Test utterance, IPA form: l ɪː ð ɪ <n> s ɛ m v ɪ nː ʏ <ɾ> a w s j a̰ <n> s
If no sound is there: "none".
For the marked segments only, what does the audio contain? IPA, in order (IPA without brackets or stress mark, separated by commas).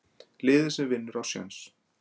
none, ɾ, n